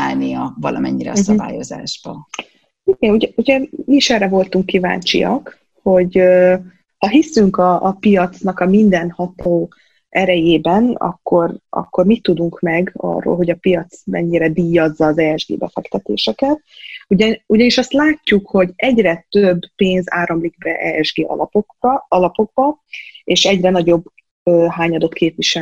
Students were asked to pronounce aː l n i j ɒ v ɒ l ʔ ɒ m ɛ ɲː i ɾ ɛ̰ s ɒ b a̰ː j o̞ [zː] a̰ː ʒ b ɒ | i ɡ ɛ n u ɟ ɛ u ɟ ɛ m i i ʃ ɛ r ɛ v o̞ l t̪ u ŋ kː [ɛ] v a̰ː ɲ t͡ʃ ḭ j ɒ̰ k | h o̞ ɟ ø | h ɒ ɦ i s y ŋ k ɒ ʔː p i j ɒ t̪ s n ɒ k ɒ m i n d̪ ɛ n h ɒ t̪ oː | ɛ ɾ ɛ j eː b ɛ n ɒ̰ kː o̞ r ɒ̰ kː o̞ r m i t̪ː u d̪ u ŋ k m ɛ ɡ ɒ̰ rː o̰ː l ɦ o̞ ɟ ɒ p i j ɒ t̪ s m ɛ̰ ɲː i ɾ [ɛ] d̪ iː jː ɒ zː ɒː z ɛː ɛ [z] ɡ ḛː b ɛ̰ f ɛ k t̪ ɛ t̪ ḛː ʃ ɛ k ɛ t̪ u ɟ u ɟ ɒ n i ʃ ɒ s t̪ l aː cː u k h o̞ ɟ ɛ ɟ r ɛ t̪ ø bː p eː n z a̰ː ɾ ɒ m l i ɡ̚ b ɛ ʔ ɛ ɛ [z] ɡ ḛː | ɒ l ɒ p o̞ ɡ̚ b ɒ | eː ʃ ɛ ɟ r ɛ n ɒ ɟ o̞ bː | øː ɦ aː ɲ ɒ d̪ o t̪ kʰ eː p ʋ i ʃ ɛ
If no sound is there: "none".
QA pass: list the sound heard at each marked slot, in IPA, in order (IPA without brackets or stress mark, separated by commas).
z, i, ɛ, ʒ, ʒ